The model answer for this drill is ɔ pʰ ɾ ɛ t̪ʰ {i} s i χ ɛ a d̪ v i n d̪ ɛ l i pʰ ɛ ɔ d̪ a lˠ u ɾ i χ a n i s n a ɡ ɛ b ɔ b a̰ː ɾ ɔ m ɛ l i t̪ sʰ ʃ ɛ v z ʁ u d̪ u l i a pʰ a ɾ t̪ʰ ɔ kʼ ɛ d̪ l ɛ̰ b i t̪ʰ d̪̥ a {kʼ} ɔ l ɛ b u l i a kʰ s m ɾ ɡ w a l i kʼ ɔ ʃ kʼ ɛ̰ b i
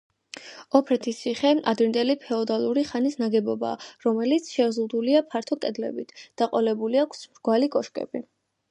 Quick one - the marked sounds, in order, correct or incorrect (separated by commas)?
correct, incorrect